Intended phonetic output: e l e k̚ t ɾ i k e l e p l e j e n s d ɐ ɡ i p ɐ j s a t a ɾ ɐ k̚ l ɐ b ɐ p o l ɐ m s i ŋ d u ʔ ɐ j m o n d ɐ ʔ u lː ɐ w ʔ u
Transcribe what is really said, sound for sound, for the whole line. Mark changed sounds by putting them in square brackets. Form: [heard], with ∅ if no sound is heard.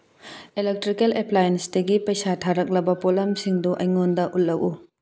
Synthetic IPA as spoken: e l e k̚ t ɾ i k e l e p l [a] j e n s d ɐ ɡ i p ɐ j s a [tʰ] a ɾ ɐ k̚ l ɐ b ɐ p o l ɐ m s i ŋ d u ʔ ɐ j [ŋ] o n d ɐ ʔ u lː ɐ w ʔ u